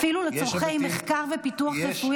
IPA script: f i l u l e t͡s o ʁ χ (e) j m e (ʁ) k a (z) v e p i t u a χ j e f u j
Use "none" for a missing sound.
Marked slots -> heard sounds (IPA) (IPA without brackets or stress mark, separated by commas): e, χ, ʁ